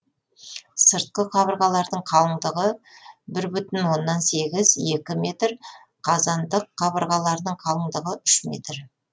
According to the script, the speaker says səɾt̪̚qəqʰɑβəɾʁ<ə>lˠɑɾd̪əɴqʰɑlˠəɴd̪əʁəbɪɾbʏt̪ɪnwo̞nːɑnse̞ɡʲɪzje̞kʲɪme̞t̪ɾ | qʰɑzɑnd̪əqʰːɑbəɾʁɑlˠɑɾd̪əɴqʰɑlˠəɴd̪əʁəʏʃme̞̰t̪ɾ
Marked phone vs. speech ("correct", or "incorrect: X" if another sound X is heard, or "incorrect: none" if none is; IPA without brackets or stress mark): incorrect: ɑ